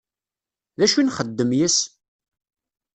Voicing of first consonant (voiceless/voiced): voiced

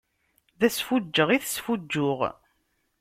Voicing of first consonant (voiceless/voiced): voiced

